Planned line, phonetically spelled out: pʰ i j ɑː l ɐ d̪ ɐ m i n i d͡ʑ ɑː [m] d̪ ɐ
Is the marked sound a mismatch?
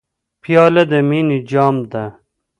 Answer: no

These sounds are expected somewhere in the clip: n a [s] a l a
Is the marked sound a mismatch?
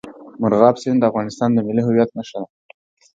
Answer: yes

